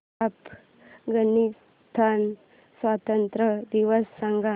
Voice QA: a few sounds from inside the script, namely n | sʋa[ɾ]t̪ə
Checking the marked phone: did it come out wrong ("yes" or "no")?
yes